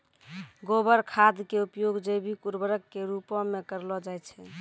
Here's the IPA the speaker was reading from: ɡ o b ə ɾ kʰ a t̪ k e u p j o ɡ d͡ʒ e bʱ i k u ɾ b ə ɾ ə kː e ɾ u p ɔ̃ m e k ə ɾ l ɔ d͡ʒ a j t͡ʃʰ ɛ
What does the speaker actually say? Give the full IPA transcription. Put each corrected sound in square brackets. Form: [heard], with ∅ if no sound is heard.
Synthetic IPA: ɡ o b ə ɾ kʰ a [d̪] k e u p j o ɡ d͡ʒ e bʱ i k u ɾ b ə ɾ ə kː e ɾ u p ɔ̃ m e k ə ɾ l ɔ d͡ʒ a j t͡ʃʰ ɛ